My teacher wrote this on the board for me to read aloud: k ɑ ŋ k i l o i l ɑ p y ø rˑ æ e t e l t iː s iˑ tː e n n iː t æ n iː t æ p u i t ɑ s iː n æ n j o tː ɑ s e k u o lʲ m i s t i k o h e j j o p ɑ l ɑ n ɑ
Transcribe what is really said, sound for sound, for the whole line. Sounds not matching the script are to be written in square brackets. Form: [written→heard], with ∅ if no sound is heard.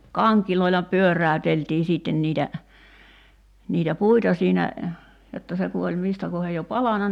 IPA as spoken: k ɑ ŋ k i l o i l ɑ p y ø rˑ æ [e→ø] t e l t iː s iˑ tː e n n iː t æ n iː t æ p u i t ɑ s iː n æ [n→∅] j o tː ɑ s e k u o lʲ m i s t [i→æ] k o h e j j o p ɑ l ɑ n ɑ